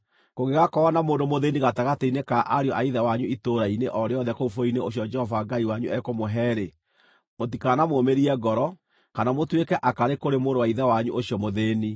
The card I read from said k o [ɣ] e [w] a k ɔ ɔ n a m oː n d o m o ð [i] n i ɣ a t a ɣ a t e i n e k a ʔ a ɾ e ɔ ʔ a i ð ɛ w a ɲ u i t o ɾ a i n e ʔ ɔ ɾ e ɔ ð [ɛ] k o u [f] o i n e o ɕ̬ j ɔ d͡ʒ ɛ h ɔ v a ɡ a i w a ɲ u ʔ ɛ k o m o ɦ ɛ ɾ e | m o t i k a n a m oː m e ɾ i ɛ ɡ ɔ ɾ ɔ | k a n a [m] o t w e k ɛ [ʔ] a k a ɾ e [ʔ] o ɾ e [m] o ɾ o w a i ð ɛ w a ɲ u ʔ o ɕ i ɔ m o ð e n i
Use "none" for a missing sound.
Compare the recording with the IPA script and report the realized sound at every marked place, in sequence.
ɣ, ɣ, e, ɛ, f, m, ʔ, k, m

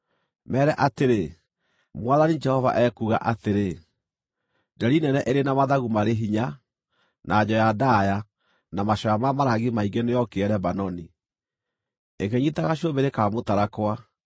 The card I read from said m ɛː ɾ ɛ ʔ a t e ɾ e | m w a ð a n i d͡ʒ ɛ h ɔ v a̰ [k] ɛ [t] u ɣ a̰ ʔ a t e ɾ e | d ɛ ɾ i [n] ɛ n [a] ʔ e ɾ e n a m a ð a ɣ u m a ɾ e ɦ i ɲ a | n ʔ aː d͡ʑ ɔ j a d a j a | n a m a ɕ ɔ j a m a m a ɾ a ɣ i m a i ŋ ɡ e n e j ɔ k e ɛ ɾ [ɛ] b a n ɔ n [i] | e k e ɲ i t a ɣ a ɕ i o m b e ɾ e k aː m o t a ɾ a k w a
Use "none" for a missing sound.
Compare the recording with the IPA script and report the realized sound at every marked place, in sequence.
ʔ, k, n, ɛ, ɛ, i

